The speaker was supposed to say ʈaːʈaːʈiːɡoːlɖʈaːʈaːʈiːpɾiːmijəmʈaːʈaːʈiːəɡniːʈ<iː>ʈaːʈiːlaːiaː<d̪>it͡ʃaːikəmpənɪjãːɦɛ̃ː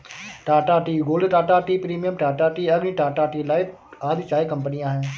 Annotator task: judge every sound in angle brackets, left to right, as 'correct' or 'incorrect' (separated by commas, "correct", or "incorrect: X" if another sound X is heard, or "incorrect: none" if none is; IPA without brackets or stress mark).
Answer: incorrect: aː, correct